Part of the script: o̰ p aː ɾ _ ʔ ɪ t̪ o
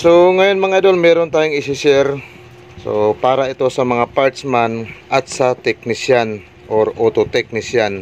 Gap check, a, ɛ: a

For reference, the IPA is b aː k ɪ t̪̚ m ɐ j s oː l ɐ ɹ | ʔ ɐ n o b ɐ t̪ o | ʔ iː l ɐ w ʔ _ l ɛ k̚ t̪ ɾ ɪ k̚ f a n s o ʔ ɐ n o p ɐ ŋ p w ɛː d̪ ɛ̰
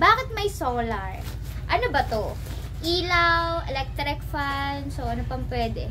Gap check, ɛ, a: ɛ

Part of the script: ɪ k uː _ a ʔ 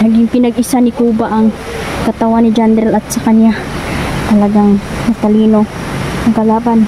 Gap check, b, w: b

